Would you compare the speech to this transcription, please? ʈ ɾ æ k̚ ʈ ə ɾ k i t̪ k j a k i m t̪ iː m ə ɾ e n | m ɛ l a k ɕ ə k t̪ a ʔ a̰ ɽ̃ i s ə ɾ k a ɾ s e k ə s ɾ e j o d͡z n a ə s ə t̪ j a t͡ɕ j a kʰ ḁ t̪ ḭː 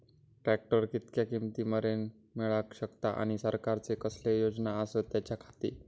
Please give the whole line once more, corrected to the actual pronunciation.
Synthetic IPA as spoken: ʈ ɾ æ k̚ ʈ ə ɾ k i t̪ k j a k i m t̪ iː m ə ɾ e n | m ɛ ɭ a k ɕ ə k t̪ a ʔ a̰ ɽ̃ i s ə ɾ k a ɾ t͡s e k ə s l e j o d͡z n a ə s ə t̪ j a t͡ɕ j a kʰ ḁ t̪ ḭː